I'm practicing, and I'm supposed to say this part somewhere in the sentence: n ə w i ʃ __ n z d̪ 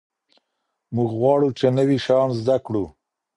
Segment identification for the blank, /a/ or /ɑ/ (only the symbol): ɑ